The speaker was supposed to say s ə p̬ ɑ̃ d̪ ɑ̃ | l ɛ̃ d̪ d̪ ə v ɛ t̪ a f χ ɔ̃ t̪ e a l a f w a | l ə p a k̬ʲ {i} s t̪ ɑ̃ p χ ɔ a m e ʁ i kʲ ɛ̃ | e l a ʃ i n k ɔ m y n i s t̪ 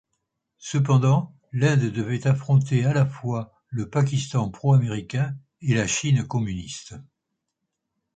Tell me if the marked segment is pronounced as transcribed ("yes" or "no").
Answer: yes